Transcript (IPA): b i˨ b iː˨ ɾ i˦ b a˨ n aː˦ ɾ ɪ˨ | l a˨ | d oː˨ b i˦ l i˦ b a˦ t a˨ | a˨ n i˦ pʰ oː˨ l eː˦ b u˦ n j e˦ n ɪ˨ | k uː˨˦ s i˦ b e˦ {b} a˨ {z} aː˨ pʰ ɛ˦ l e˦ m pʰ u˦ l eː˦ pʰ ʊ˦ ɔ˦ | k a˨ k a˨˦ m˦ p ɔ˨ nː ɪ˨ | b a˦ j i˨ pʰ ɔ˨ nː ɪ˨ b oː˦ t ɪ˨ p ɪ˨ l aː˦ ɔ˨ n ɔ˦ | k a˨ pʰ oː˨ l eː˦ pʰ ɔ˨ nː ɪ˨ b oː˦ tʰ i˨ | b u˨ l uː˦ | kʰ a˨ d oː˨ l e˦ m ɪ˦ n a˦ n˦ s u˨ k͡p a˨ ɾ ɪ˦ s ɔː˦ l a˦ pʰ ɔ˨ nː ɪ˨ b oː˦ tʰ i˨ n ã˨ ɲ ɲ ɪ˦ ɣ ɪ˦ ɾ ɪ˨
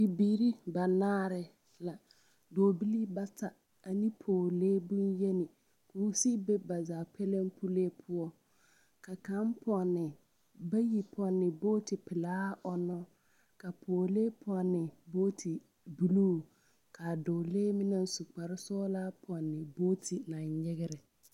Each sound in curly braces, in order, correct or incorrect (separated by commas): correct, correct